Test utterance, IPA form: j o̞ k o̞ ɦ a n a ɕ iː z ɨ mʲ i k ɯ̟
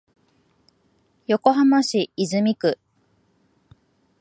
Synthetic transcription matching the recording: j o̞ k o̞ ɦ a m a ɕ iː z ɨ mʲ i k ɯ̟